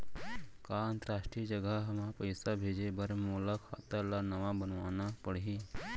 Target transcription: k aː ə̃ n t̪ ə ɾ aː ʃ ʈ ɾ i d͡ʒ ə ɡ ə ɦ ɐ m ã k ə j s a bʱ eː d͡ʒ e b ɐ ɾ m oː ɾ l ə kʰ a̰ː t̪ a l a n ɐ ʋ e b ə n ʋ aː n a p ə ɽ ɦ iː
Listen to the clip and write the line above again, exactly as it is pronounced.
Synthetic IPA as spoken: k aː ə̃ n t̪ ə ɾ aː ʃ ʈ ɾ i d͡ʒ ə ɡ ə ɦ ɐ m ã p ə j s a bʱ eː d͡ʒ e b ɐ ɾ m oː l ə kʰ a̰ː t̪ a l a n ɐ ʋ a b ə n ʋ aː n a p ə ɽ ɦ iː